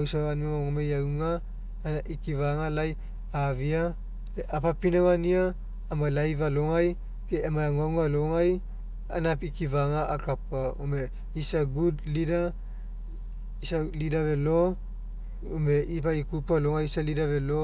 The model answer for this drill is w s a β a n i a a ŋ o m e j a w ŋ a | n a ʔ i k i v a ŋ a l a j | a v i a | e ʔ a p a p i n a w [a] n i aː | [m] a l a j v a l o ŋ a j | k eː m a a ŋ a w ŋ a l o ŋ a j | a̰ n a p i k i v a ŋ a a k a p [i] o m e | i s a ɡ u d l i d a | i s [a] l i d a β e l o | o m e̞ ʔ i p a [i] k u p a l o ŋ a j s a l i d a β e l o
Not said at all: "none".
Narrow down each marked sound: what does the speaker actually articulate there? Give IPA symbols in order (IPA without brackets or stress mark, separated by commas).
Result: a, m, a, a, i